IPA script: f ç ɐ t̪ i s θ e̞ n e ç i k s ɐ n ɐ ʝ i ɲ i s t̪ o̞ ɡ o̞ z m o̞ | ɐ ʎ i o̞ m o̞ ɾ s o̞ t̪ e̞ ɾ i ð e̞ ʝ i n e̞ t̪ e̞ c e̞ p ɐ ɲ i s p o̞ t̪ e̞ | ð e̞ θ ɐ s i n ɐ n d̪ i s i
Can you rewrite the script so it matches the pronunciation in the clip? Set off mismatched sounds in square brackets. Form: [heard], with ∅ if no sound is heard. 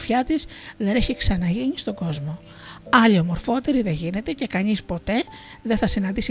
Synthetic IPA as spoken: f ç ɐ t̪ i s [ð] e̞ n e ç i k s ɐ n ɐ ʝ i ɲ i s t̪ o̞ ɡ o̞ z m o̞ | ɐ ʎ i o̞ m o̞ ɾ [f] o̞ t̪ e̞ ɾ i ð e̞ ʝ i n e̞ t̪ e̞ c e̞ [k] ɐ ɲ i s p o̞ t̪ e̞ | ð e̞ θ ɐ s i n ɐ n d̪ i s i